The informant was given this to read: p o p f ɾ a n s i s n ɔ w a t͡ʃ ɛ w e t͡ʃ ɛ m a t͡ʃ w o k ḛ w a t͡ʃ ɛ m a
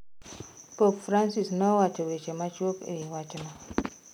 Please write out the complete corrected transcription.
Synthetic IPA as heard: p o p f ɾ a n s i s n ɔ w a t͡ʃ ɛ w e t͡ʃ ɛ m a t͡ʃ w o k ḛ w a t͡ʃ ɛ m a